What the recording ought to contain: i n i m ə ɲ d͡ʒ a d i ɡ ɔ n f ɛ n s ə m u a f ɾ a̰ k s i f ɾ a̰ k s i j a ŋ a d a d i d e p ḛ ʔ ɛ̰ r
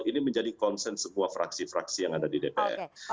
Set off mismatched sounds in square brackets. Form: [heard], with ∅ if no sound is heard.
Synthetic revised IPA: i n i m ə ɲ d͡ʒ a d i [k] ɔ n [s] ɛ n s ə m u a f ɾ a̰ k s i f ɾ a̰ k s i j a ŋ a d a d i d e p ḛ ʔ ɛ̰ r